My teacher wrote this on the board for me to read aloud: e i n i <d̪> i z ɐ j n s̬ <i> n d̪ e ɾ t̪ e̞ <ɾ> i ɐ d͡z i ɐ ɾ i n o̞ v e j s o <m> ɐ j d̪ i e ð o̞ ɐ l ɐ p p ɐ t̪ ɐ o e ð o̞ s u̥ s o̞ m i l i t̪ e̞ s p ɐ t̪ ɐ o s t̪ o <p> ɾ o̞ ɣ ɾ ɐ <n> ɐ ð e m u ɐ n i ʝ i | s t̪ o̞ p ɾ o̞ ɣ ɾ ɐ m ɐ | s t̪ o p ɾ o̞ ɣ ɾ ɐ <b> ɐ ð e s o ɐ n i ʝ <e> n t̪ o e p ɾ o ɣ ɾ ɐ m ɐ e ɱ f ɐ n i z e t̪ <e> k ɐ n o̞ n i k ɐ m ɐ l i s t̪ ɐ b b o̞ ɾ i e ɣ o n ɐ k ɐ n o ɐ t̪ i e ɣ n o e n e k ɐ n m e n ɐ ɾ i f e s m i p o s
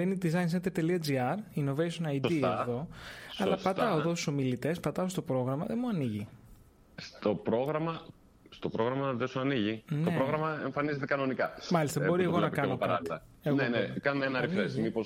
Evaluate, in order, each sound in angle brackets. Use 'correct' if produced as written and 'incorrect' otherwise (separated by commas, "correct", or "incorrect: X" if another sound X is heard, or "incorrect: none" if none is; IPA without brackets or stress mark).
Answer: correct, incorrect: e, incorrect: l, incorrect: n, correct, incorrect: m, incorrect: m, incorrect: i, correct